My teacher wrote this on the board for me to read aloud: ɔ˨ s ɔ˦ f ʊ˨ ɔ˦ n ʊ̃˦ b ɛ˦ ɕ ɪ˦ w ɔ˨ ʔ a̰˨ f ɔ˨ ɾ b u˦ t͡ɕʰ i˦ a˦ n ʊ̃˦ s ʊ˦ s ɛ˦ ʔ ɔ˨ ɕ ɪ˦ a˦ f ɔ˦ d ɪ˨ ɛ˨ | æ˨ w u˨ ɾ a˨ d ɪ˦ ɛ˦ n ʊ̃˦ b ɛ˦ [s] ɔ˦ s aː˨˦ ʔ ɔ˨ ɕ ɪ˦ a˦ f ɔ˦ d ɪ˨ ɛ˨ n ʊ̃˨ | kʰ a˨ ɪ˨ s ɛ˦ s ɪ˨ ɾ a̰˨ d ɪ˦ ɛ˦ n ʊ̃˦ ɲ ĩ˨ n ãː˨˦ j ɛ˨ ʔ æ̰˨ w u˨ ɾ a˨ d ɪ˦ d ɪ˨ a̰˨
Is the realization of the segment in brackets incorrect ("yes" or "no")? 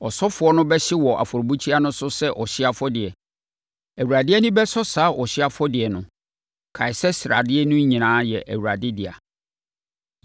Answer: no